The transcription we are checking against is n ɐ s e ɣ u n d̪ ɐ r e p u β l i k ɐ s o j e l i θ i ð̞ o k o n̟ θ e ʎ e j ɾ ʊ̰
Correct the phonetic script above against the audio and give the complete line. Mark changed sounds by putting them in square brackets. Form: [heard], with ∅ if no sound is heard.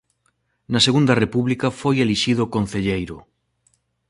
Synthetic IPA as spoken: n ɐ s e ɣ u n d̪ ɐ r e p u β l i k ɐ [f] o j e l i [ʃ] i ð̞ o k o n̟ θ e ʎ e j ɾ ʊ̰

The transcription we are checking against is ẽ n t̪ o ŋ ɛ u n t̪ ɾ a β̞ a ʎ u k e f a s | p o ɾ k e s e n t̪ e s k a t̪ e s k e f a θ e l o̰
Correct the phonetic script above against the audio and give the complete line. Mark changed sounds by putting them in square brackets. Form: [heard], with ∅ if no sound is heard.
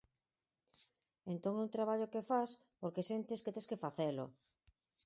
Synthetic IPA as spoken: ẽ n t̪ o ŋ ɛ u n t̪ ɾ a β̞ a ʎ [o] k e f a s | p o ɾ k e s e n t̪ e s k [e] t̪ e s k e f a θ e l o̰

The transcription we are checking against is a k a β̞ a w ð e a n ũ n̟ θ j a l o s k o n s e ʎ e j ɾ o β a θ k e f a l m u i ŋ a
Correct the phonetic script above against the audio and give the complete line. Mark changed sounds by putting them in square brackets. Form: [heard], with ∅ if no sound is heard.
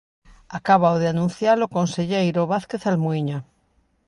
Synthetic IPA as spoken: a k a β̞ a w ð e a n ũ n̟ θ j a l o [∅] k o n s e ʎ e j ɾ o β a θ k e [θ] a l m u i [ɲ] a

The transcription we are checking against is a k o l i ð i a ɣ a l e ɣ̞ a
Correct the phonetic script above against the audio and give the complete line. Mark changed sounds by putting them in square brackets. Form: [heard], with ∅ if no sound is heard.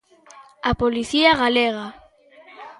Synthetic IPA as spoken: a [p] o l i [θ] i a ɣ a l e ɣ̞ a

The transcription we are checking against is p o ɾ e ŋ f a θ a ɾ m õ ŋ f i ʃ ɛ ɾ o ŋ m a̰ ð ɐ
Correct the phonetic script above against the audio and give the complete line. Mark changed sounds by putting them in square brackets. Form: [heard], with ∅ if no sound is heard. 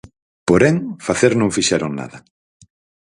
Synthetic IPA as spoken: p o ɾ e ŋ f a θ [e] ɾ [n] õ ŋ f i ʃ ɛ ɾ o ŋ [n] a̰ ð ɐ

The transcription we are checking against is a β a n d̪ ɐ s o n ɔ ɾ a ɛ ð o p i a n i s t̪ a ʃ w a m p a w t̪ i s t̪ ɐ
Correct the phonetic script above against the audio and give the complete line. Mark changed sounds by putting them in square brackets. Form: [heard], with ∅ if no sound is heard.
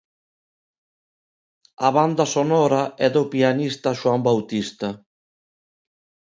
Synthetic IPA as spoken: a β a n d̪ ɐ s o n ɔ ɾ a ɛ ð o p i a n i s t̪ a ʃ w a m [b] a w t̪ i s t̪ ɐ

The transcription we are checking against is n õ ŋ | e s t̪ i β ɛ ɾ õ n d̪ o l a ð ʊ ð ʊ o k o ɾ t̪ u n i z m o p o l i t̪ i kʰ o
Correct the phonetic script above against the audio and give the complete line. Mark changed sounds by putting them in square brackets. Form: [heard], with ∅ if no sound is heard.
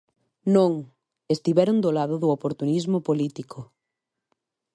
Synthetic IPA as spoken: n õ ŋ | e s t̪ i β ɛ ɾ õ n d̪ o l a ð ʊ ð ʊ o [p] o ɾ t̪ u n i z m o p o l i t̪ i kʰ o

